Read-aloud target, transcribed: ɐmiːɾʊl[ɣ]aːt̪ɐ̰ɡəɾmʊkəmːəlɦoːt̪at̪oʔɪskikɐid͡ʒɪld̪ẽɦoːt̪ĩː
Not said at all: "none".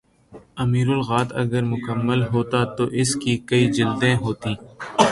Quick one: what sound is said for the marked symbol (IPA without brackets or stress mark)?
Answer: ɣ